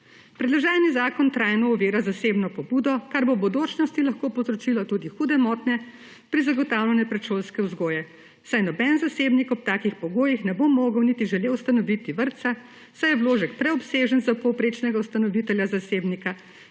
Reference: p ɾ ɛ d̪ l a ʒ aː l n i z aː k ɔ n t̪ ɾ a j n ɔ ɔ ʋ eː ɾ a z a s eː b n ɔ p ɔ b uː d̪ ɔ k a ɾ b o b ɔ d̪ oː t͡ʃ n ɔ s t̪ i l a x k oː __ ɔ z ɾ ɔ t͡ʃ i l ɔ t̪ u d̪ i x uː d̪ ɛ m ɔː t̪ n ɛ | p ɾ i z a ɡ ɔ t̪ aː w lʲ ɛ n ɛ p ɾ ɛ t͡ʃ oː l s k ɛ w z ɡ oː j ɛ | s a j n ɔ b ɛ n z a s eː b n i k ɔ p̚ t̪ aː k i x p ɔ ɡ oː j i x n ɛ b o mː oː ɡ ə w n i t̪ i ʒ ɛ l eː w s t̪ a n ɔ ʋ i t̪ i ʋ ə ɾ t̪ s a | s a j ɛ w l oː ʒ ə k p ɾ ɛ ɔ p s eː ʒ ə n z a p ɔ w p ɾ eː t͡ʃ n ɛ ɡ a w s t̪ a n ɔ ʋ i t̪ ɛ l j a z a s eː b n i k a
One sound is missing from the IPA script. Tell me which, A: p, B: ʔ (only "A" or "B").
A